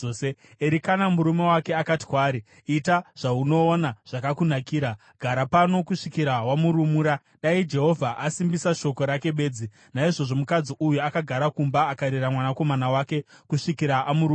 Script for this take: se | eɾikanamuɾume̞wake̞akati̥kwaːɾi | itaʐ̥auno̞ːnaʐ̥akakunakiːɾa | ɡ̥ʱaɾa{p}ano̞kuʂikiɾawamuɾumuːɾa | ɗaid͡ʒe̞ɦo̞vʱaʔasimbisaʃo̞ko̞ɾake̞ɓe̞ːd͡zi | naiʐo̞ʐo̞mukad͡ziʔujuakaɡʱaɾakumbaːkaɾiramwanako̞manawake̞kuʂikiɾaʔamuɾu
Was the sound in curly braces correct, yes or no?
yes